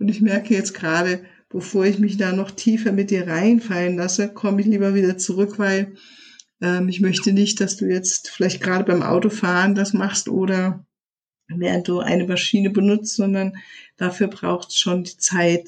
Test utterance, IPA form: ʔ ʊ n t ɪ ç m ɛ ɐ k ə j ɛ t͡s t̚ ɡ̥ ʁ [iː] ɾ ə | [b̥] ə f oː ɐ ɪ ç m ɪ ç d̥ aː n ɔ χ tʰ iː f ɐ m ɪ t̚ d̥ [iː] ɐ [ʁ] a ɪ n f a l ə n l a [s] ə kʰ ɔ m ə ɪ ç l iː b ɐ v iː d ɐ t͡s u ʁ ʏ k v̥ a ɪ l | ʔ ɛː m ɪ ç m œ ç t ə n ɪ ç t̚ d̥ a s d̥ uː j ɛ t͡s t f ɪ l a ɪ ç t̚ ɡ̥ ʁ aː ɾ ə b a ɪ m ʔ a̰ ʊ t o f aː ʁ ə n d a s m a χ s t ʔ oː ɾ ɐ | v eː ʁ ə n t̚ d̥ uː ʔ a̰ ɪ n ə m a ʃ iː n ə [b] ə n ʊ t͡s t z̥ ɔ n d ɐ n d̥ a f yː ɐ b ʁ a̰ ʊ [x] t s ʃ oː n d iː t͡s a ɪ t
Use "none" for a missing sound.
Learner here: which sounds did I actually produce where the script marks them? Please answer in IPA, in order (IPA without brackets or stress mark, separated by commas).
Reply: aː, b̥, iː, ʁ, s, b, x